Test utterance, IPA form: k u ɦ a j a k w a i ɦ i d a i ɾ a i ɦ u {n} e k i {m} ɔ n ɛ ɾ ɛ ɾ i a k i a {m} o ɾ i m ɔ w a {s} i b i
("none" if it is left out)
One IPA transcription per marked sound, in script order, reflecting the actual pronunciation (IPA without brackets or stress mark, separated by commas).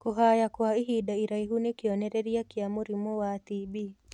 n, none, m, t